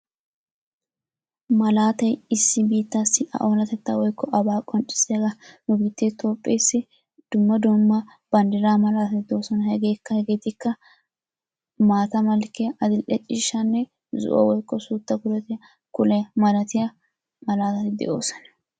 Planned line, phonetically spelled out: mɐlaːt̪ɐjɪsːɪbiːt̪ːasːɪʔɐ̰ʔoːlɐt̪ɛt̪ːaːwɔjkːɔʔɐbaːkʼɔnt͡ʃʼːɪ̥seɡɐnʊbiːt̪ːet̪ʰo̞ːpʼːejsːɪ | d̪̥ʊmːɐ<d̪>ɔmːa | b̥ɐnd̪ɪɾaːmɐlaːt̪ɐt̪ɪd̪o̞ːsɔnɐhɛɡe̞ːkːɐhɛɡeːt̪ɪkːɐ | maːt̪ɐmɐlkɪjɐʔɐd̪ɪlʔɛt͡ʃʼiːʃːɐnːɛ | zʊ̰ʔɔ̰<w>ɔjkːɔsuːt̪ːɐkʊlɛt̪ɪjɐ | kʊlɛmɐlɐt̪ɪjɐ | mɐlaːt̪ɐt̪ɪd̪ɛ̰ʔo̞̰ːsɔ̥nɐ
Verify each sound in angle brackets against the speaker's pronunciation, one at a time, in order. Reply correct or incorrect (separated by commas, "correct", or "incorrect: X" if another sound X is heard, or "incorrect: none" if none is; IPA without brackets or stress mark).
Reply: correct, correct